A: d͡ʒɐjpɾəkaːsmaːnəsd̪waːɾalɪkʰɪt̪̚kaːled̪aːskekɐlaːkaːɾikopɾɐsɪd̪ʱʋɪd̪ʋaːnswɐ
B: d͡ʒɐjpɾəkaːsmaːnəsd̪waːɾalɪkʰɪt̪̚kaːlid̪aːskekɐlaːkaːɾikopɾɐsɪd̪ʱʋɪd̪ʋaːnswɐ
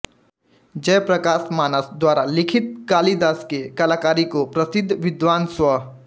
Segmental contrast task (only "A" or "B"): B